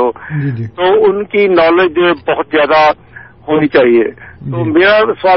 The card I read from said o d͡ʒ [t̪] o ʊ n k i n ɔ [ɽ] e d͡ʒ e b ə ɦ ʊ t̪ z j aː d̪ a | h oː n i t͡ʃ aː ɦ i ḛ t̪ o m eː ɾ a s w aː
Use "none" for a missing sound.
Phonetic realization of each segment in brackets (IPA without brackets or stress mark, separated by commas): t̪, l